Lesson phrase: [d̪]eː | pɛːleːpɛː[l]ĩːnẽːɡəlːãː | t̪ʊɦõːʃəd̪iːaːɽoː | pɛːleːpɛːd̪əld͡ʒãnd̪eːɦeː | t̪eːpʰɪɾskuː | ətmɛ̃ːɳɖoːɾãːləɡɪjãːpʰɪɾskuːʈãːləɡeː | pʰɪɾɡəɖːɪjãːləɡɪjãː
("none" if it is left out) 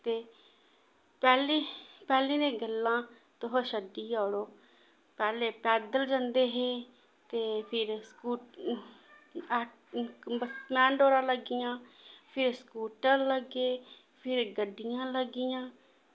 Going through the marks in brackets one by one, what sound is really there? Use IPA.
t̪, l

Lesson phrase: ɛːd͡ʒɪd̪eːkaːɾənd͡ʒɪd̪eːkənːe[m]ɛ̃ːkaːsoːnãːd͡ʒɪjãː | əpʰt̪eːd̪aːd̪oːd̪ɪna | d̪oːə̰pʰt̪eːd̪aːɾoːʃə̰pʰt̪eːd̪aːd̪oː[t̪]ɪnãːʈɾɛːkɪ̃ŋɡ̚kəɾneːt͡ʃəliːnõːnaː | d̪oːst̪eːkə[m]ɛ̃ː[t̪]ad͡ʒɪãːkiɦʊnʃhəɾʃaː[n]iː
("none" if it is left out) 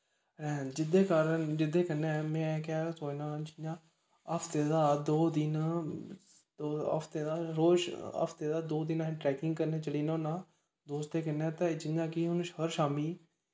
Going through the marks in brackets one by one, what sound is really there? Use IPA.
m, d̪, n, t̪, m

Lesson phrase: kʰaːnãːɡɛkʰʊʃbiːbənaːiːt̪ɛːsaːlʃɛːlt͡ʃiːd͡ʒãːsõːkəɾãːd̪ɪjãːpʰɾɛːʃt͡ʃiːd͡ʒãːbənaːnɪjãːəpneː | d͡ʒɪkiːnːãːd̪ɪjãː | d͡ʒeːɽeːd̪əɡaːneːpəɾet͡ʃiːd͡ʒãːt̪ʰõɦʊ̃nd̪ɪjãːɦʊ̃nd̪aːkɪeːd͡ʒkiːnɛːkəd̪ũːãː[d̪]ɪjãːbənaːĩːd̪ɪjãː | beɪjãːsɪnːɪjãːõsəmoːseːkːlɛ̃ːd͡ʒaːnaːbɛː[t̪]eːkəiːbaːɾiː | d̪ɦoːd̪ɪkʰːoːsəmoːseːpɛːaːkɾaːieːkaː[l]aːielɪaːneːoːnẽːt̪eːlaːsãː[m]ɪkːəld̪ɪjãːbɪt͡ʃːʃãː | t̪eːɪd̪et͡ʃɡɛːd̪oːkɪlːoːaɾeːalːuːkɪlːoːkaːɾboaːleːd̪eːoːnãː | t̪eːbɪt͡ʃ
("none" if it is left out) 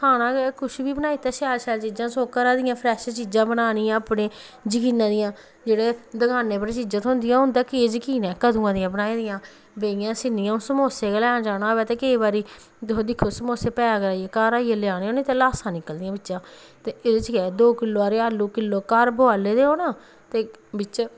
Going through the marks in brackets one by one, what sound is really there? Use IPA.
d̪, t̪, ɾ, n

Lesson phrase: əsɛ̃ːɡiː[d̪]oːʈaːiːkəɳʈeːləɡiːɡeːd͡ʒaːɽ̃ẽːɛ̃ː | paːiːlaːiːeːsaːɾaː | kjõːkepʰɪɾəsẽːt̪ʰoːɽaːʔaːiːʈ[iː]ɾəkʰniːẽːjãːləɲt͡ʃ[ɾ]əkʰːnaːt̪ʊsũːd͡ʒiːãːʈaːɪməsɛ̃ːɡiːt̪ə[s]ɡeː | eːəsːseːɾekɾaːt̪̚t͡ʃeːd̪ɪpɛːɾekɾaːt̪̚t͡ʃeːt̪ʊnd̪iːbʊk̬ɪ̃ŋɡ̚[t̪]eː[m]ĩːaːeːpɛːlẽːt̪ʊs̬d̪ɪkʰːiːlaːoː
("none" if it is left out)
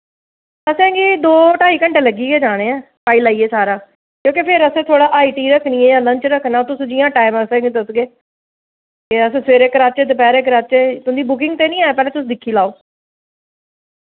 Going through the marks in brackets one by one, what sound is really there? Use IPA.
d̪, iː, ɾ, s, t̪, n

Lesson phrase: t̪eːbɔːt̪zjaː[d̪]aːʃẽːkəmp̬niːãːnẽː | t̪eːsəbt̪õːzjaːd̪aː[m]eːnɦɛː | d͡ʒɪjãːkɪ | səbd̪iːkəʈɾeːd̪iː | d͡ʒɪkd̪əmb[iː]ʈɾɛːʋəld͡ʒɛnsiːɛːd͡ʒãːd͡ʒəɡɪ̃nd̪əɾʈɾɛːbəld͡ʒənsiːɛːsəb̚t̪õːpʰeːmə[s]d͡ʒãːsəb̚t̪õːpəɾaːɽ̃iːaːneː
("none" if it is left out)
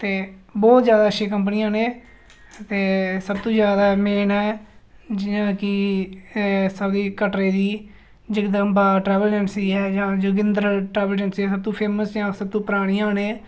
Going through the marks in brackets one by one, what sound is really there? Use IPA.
d̪, m, aː, s

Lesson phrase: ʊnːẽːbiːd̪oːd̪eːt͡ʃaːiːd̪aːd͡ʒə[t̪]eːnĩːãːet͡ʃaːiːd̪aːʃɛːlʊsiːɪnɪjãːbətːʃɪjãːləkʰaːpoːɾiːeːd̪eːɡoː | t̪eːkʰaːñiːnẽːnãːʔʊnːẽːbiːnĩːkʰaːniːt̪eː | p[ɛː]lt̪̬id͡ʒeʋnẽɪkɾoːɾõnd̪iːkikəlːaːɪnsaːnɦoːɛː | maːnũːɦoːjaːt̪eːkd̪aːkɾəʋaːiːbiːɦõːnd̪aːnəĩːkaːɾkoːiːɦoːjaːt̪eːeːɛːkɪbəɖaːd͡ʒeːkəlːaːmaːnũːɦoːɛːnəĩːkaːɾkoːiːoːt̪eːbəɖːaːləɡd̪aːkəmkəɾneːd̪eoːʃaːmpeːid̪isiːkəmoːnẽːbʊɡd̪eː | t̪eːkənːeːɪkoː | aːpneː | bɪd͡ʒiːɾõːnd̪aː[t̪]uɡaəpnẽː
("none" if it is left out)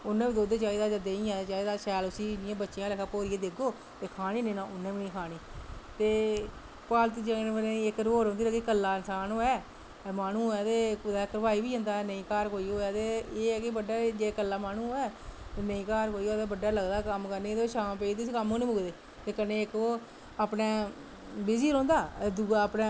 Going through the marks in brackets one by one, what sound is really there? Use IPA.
d̪, aː, d̪

